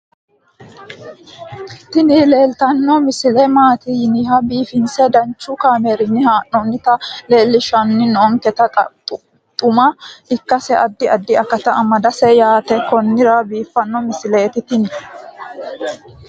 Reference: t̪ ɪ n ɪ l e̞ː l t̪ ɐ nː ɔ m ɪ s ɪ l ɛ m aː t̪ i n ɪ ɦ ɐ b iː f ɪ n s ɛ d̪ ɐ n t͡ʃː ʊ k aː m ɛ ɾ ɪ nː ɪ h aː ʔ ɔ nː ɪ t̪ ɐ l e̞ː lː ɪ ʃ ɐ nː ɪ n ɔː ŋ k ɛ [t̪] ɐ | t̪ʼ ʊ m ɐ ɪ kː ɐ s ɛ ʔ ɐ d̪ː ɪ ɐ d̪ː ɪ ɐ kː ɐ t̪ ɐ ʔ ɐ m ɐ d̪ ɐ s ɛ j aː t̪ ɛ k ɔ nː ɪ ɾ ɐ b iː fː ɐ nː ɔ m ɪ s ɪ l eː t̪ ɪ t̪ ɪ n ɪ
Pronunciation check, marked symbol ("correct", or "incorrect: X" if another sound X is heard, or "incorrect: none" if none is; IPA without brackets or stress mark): correct